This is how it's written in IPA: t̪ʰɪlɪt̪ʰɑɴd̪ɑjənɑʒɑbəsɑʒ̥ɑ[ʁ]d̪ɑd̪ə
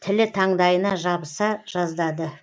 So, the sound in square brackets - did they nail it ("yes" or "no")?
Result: no